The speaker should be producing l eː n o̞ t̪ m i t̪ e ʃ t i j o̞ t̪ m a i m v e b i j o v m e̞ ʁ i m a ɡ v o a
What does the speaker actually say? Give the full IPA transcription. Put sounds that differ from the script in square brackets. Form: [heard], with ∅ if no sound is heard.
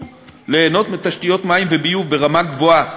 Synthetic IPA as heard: l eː n o̞ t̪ m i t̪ [a] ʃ t i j o̞ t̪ m a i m v e b i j [u] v [b] e̞ ʁ [a] m a ɡ v o a